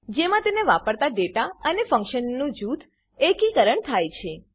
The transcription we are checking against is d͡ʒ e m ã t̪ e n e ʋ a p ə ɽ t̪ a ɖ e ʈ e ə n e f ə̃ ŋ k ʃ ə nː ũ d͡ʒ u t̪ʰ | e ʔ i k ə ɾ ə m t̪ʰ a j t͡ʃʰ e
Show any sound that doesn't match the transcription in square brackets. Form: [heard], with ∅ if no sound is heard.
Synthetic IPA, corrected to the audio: d͡ʒ e m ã t̪ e n e ʋ a p ə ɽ t̪ a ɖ e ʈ [a] ə n e f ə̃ ŋ k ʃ ə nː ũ d͡ʒ u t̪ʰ | e [k] i k ə ɾ ə [ɳ] t̪ʰ a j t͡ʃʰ e